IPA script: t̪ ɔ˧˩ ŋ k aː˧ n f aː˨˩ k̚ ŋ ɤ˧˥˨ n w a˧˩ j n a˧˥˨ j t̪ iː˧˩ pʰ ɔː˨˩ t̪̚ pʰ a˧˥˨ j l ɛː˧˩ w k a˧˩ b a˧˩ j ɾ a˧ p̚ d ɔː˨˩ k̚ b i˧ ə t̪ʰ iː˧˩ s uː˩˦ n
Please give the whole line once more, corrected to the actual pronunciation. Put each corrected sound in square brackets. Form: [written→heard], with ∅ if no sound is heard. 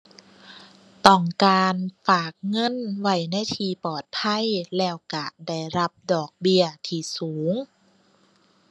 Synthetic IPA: t̪ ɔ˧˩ ŋ k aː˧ n f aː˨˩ k̚ ŋ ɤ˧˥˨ n w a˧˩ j n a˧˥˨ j [t̪→t̪ʰ] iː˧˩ [pʰ→p] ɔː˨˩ t̪̚ pʰ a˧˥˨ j l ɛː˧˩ w k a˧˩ [b→d] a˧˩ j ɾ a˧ p̚ d ɔː˨˩ k̚ b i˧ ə t̪ʰ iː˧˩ s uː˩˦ [n→ŋ]